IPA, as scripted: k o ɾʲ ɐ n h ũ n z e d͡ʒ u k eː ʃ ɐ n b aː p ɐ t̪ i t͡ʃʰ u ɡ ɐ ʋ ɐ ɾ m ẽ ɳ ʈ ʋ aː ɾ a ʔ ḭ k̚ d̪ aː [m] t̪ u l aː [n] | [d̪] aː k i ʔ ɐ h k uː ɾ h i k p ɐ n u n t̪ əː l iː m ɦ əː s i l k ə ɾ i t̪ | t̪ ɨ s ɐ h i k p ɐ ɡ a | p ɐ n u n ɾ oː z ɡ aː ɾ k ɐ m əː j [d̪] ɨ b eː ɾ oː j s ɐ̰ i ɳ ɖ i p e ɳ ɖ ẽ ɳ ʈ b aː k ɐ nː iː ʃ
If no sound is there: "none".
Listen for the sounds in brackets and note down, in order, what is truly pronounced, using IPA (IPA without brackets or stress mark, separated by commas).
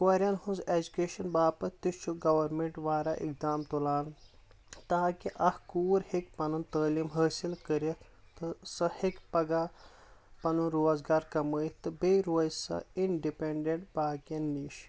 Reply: m, n, t̪, t̪